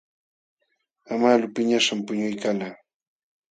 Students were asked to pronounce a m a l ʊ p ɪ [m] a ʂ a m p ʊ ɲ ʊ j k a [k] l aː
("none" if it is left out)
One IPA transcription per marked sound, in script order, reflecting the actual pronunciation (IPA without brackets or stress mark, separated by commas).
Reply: ɲ, none